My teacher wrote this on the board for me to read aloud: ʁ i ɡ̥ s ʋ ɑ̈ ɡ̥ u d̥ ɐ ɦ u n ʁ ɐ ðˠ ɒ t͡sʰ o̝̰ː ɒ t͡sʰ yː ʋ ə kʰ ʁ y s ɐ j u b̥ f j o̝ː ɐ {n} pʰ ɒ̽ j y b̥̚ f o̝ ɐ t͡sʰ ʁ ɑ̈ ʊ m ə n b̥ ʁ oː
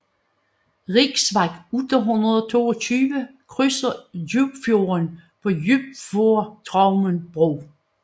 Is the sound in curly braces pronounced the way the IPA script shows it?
yes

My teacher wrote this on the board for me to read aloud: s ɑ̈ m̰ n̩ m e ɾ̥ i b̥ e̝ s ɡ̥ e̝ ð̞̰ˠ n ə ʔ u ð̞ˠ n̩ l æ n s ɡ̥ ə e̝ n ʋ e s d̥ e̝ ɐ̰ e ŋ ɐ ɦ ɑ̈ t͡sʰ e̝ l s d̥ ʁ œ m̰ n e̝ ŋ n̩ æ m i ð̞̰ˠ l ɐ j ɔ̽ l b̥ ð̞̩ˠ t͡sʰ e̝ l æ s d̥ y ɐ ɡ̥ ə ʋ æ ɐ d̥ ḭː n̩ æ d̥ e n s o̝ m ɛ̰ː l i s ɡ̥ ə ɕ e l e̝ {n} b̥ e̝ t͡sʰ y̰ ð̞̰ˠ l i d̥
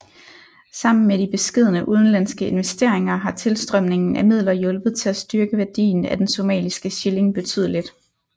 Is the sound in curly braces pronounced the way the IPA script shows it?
no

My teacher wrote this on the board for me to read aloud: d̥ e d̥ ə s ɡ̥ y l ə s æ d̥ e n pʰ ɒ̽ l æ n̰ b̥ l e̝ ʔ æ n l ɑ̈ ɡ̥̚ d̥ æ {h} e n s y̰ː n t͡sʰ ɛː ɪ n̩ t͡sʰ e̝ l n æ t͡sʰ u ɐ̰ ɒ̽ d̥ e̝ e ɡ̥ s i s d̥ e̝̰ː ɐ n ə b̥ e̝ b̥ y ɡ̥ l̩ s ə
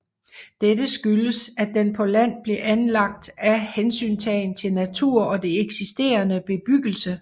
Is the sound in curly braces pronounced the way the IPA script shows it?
yes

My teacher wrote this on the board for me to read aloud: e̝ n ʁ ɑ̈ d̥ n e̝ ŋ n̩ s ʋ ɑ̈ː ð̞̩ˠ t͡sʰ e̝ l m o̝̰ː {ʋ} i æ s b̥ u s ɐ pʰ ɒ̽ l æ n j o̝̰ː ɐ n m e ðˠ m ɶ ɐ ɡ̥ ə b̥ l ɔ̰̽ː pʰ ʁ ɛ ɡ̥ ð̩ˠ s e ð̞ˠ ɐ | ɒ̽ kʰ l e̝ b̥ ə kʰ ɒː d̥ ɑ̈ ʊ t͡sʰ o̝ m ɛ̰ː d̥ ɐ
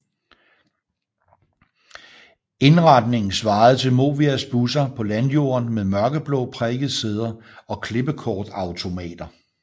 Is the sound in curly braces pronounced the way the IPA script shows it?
yes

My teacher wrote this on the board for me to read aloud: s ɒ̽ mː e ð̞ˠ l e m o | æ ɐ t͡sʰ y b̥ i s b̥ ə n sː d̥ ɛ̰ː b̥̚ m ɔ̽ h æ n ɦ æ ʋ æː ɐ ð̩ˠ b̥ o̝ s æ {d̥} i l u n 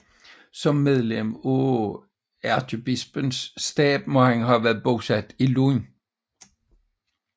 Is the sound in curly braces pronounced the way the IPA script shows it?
yes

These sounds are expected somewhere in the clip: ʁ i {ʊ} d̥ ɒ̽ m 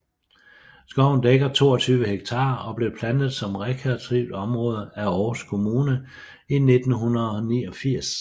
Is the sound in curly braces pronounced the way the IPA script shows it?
yes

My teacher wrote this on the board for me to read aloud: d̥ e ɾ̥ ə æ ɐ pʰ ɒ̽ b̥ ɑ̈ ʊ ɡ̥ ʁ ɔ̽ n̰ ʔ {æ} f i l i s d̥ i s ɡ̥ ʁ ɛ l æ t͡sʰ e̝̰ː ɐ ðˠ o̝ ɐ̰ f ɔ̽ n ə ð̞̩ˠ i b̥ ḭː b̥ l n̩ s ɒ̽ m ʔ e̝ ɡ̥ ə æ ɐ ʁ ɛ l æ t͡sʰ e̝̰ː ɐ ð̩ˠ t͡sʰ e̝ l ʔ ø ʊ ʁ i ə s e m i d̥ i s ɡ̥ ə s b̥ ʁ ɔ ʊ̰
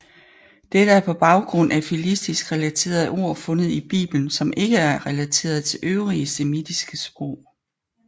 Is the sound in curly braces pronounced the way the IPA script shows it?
yes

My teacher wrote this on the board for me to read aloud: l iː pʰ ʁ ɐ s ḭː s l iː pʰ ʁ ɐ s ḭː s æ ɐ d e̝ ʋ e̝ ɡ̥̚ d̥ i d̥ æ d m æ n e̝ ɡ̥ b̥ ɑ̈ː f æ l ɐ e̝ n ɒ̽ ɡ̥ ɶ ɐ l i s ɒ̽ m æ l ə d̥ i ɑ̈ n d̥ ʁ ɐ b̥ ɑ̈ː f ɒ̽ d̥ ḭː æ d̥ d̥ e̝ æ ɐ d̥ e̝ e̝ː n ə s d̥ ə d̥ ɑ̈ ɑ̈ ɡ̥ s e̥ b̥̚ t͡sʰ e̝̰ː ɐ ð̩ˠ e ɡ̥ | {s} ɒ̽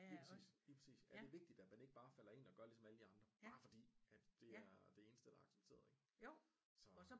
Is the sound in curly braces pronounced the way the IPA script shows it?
yes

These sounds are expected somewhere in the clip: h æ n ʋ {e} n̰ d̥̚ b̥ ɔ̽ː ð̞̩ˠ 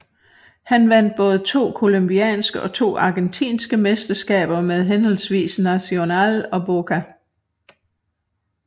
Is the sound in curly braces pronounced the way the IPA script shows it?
no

